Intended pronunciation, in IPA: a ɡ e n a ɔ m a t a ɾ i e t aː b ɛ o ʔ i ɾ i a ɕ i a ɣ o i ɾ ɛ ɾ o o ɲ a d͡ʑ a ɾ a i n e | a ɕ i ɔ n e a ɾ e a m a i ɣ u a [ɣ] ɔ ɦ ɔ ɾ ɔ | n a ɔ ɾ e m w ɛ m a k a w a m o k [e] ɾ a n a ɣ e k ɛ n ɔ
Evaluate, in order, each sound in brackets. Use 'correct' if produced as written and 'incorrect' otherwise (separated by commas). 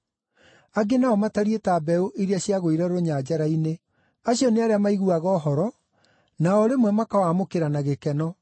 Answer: correct, correct